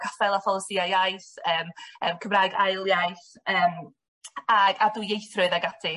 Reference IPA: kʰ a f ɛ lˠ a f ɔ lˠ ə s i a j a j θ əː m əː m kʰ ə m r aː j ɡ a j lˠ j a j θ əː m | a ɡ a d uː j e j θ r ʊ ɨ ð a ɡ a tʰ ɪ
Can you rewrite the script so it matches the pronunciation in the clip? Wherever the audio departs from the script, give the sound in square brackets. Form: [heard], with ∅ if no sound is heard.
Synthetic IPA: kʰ a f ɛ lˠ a f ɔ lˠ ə s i a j a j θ əː m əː m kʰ ə m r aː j ɡ a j lˠ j a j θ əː m | a ɡ a d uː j e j θ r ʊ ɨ ð a ɡ a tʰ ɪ